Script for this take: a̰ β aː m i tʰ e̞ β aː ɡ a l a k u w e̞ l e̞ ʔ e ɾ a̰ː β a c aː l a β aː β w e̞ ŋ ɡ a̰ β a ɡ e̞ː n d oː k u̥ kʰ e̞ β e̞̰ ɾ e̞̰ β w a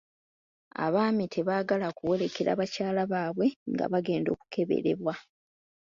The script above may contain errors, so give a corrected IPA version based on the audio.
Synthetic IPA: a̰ β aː m i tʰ e̞ β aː ɡ a l a k u w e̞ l e̞ k e ɾ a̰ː β a c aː l a β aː β w e̞ ŋ ɡ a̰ β a ɡ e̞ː n d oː k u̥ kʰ e̞ β e̞̰ ɾ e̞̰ β w a